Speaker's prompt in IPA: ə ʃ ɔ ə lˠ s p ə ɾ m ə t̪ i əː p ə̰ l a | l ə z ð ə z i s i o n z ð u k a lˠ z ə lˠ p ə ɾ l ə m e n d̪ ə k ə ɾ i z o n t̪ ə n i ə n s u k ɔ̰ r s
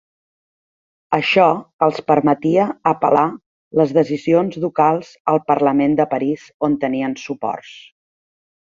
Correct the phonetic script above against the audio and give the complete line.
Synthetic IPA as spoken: ə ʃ ɔ ə lˠ s p ə ɾ m ə t̪ i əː p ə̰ l a | l ə z ð ə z i z i o n z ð u k a lˠ z ə lˠ p ə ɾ l ə m e n d̪ ə p ə ɾ i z o n t̪ ə n i ə n s u p ɔ̰ r s

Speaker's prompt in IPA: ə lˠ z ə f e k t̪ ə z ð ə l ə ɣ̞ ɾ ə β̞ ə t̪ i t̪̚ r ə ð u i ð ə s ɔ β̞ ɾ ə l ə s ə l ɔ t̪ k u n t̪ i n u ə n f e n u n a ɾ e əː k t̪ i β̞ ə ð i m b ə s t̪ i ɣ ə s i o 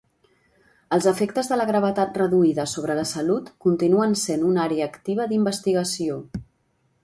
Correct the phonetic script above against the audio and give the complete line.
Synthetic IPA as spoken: ə lˠ z ə f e k t̪ ə z ð ə l ə ɣ̞ ɾ ə β̞ ə t̪ a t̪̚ r ə ð u i ð ə s o β̞ ɾ ə l ə s ə l u t̪ k u n t̪ i n u ə n s e n u n a ɾ e əː k t̪ i β̞ ə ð i m b ə s t̪ i ɣ ə s i o

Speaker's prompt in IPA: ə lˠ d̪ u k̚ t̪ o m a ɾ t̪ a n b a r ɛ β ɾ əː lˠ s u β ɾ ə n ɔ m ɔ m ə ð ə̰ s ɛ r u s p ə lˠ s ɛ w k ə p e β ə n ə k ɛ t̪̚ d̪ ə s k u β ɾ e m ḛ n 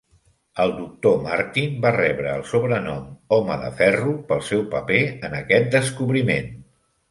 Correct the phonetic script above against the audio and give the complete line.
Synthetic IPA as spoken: ə lˠ d̪ u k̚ t̪ o m a ɾ t̪ i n b a r ɛ β ɾ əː lˠ s u β ɾ ə n ɔ m ɔ m ə ð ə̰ f ɛ r u p ə lˠ s ɛ w p ə p e ə n ə k ɛ t̪̚ d̪ ə s k u β ɾ i m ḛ n

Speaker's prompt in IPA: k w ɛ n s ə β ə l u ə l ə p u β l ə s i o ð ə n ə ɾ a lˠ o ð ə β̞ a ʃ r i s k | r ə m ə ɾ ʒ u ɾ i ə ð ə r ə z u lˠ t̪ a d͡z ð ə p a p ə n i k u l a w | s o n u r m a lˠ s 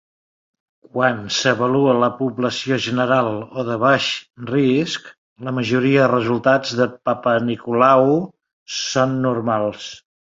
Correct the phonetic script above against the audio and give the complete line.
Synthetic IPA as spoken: k w a n s ə β ə l u ə l ə p u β l ə s i o ʒ ə n ə ɾ a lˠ o ð ə β̞ a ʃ r i s k | l ə m ə ʒ u ɾ i ə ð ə r ə z u lˠ t̪ a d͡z ð ə p a p ə n i k u l a w | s o nː u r m a lˠ s

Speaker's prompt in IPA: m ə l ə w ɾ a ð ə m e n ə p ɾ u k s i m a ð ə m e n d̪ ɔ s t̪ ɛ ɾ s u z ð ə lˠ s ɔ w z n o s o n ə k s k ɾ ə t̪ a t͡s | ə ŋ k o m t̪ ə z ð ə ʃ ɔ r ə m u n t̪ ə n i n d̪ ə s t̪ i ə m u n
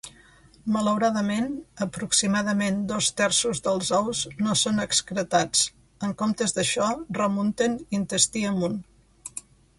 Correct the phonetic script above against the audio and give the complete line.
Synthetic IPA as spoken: m ə l ə w ɾ a ð ə m e n ə p ɾ u k s i m a ð ə m e n d̪ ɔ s t̪ ɛ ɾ s u z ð ə lˠ z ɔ w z n o s o n ə k s k ɾ ə t̪ a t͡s | ə ŋ k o m t̪ ə z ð ə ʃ ɔ r ə m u n t̪ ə n i n t̪ ə s t̪ i ə m u n

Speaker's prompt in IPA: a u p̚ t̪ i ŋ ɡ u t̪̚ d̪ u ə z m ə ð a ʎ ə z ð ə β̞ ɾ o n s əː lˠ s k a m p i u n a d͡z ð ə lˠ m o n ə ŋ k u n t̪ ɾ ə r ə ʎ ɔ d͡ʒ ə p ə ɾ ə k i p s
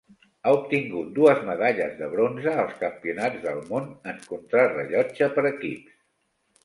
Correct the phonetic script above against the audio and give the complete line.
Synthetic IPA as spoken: a u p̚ t̪ i ŋ ɡ u t̪̚ d̪ u ə z m ə ð a ʎ ə z ð ə β̞ ɾ o n z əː lˠ s k ə m p i u n a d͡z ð ə lˠ m o n ə ŋ k u n t̪ ɾ a r ə ʎ ɔ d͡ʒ ə p ə ɾ ə k i p s

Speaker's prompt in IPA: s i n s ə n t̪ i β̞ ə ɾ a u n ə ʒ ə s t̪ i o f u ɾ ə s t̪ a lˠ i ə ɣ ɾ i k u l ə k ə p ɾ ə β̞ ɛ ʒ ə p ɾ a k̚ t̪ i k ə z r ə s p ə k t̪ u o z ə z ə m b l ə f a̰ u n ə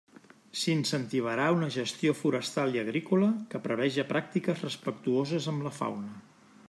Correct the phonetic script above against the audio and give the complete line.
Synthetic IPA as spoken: s i n s ə n t̪ i β̞ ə ɾ a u n ə ʒ ə s t̪ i o f u ɾ ə s t̪ a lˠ i ə ɣ ɾ i k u l ə k ə p ɾ ə β̞ ɛ ʒ ə p ɾ a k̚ t̪ i k ə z r ə s p ə k t̪ u o z ə z ə m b l ə f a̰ w n ə

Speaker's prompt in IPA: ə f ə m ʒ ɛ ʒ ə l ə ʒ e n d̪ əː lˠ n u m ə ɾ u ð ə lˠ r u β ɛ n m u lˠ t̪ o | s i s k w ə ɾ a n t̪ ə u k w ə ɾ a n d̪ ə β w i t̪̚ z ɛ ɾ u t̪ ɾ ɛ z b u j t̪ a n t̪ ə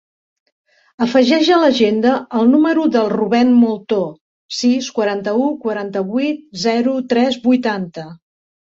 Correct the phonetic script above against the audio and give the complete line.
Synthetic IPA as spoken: ə f ə ʒ ɛ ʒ ə l ə ʒ e n d̪ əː lˠ n u m ə ɾ u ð ə lˠ r u β ɛ n m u lˠ t̪ o | s i s k w ə ɾ a n t̪ ə u k w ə ɾ a n t̪ ə β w i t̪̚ z ɛ ɾ u t̪ ɾ ɛ z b u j t̪ a n t̪ ə

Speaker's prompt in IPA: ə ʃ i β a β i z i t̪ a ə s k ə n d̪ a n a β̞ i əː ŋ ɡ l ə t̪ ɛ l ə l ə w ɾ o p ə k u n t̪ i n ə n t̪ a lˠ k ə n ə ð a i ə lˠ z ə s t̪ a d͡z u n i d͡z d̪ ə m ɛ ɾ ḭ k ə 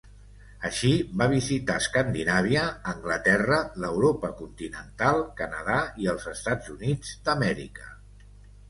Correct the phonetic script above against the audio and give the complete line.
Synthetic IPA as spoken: ə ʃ i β a β i z i t̪ a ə s k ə n d̪ i n a β̞ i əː ŋ ɡ l ə t̪ ɛ r ə l ə w ɾ o p ə k u n t̪ i n ə n t̪ a lˠ k ə n ə ð a i ə lˠ z ə s t̪ a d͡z u n i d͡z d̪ ə m ɛ ɾ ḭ k ə

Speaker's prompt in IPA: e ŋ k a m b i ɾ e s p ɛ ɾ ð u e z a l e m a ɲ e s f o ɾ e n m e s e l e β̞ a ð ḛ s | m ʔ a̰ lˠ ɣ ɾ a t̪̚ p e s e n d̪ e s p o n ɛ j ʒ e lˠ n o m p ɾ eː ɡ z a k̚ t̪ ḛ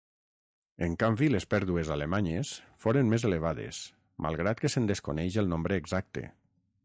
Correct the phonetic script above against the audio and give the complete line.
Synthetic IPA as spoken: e ŋ k a m b i l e s p ɛ ɾ ð u e z a l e m a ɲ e s f o ɾ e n m e z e l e β̞ a ð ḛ s | m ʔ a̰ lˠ ɣ ɾ a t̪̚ k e s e n d̪ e s k o n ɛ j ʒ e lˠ n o m b ɾ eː ɡ z a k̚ t̪ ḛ

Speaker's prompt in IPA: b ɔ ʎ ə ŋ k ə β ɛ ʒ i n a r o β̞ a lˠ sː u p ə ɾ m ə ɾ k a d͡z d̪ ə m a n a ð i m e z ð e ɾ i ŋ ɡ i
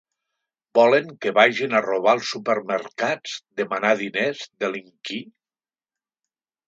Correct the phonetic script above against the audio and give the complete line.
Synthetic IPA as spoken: b ɔ l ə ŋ k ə β a ʒ i n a r o β̞ a lˠ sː u p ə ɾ m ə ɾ k a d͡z d̪ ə m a n a ð i n e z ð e l i ŋ k i

